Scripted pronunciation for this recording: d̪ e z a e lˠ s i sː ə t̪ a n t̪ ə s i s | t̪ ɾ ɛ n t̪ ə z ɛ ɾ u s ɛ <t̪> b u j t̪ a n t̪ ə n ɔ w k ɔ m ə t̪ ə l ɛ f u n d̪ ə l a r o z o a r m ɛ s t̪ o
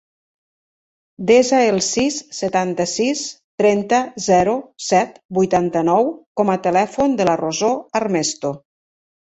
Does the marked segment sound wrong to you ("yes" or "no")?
no